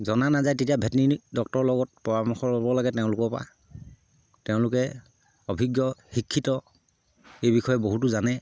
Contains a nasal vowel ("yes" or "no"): yes